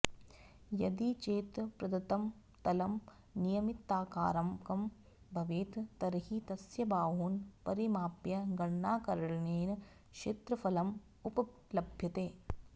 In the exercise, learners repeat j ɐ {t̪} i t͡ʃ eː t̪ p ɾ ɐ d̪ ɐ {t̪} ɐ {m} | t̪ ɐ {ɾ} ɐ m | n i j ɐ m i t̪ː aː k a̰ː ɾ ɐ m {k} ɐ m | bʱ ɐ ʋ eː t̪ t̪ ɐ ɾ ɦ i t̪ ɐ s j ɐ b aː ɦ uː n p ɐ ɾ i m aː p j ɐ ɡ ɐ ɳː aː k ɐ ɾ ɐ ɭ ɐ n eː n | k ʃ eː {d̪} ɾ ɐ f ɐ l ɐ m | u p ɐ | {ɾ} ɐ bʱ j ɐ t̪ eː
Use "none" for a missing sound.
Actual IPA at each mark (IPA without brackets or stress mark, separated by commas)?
d̪, t̪, m, l, k, t̪, l